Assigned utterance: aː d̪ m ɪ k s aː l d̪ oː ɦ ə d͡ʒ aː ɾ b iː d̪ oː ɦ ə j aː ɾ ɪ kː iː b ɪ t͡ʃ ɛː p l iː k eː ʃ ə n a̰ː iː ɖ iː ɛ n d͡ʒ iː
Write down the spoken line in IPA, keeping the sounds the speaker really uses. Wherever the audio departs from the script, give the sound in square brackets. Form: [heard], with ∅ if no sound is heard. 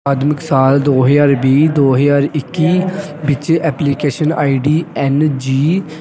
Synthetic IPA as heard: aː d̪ m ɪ k s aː l d̪ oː ɦ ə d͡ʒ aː ɾ b iː d̪ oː ɦ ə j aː ɾ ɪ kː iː b ɪ t͡ʃ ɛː p l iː k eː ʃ ə n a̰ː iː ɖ iː ɛ n d͡ʒ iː